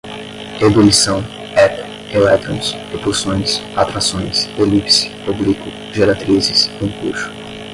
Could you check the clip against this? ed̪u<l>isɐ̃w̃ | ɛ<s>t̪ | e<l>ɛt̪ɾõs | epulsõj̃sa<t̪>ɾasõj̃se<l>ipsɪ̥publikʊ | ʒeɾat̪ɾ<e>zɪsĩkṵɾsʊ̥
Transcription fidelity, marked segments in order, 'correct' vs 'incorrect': correct, incorrect: none, correct, correct, correct, incorrect: i

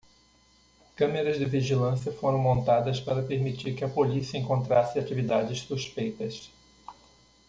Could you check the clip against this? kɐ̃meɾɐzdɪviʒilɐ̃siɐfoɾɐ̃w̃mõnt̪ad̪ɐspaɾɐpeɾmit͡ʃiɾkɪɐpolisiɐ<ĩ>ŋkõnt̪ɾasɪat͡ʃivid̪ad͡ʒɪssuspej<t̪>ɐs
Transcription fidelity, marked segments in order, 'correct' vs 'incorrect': incorrect: ẽ, correct

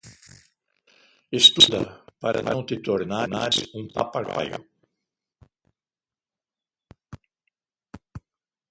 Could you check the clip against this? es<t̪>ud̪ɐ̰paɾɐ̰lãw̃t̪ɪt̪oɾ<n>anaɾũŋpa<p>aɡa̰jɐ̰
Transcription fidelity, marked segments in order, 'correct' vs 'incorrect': correct, correct, correct

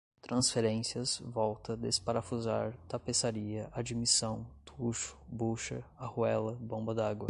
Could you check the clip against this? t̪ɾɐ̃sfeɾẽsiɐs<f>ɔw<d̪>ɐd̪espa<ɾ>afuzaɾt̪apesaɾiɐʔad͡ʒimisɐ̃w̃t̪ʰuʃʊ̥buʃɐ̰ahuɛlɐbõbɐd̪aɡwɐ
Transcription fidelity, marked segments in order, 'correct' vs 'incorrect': incorrect: v, incorrect: t̪, correct

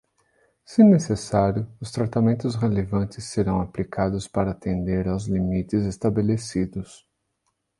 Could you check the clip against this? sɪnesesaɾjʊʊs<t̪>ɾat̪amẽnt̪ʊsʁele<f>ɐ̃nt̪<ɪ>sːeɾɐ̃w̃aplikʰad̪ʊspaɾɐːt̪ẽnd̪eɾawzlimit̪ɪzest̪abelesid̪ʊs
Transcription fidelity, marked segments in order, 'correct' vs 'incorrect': correct, incorrect: v, correct

